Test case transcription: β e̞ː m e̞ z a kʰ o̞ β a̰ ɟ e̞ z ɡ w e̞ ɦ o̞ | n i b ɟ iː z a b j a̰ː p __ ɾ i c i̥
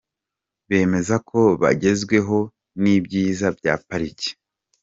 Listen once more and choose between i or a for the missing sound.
a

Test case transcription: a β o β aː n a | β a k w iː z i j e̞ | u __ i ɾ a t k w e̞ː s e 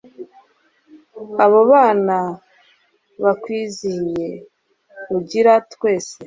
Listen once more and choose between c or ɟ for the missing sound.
ɟ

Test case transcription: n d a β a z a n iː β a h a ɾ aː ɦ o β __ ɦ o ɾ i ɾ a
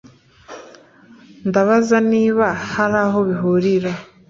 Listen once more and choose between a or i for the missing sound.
i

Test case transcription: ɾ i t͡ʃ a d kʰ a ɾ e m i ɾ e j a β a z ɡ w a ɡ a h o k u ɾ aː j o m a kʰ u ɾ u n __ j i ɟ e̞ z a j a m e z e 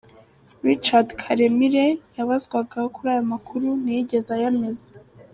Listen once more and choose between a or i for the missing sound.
i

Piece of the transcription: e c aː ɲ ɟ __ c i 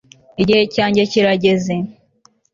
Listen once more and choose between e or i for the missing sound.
e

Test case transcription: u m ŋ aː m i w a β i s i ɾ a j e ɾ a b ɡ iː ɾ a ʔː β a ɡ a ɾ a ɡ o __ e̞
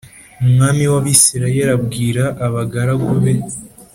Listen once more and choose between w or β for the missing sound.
β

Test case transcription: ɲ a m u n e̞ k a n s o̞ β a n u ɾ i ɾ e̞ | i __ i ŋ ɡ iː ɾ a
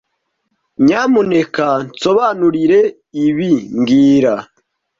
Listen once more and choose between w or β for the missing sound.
β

